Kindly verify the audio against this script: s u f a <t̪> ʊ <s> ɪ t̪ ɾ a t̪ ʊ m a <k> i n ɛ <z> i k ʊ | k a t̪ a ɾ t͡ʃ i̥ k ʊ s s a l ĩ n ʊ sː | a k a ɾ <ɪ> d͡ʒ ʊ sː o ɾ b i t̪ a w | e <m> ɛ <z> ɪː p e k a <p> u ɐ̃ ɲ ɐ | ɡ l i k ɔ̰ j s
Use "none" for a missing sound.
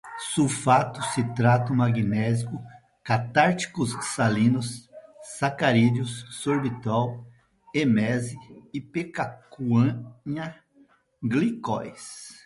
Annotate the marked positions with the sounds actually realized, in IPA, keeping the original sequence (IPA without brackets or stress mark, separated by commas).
t̪, s, ɡ, z, i, m, z, k